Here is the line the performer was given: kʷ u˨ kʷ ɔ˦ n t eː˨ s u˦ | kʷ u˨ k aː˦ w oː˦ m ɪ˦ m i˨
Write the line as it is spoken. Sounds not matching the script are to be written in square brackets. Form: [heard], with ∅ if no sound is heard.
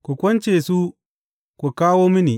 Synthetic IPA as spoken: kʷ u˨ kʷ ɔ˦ n [t͡ʃ] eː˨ s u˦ | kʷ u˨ k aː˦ w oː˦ m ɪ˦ [n] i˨